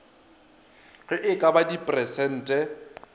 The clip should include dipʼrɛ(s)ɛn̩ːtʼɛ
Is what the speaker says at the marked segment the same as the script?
yes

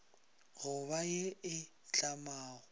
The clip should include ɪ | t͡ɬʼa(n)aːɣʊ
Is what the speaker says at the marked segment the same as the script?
no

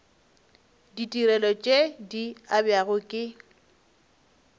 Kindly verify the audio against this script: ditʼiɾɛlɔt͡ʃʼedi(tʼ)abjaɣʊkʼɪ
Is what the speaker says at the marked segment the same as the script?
no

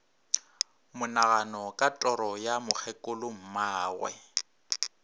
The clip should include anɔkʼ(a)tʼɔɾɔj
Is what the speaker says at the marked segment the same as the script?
yes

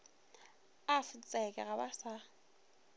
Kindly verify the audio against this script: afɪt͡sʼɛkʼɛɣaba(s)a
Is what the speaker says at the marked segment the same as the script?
yes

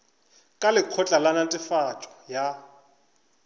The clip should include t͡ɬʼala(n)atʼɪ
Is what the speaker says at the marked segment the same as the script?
yes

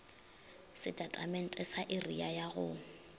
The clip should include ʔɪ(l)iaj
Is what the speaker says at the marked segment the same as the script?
no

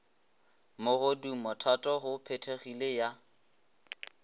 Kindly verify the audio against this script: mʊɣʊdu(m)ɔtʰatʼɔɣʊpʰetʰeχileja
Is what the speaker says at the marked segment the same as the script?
yes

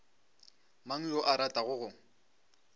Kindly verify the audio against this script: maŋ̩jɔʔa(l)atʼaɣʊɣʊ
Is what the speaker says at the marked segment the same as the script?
no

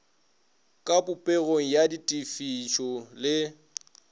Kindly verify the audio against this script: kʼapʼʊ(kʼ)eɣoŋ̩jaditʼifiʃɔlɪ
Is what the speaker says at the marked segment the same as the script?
no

